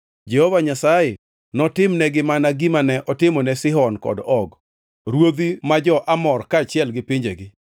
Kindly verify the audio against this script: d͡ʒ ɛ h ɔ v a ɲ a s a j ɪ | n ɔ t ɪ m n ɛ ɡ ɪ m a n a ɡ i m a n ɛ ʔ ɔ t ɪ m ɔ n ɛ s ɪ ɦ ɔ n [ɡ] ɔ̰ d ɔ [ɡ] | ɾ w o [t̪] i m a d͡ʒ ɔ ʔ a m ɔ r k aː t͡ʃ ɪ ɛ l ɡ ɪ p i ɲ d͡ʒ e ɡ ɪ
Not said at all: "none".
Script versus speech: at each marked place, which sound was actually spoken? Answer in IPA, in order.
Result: k, ɡ, d̪

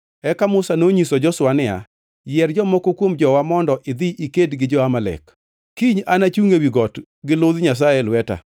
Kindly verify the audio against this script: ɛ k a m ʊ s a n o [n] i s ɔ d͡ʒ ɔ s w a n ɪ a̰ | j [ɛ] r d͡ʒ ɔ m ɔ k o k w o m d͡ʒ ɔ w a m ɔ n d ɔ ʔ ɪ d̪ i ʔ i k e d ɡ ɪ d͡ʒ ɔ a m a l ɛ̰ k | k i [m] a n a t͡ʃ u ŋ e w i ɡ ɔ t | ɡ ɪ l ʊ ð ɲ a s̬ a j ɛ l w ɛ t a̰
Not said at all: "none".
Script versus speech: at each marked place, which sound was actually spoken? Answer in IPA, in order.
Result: ɲ, ɛ, ɲ

